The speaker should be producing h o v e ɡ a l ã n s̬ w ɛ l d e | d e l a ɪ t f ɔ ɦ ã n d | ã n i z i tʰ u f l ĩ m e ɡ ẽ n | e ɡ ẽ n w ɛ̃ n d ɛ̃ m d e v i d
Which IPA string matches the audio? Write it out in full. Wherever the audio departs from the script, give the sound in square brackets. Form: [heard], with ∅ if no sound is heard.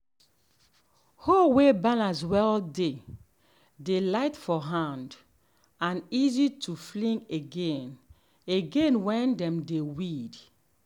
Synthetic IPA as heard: h o [w] e [b] a l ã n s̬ w ɛ l d e | d e l a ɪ t f ɔ ɦ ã n d | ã n i z i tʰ u f l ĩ [ŋ] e ɡ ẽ n | e ɡ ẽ n w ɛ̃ n d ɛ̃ m d e [w] i d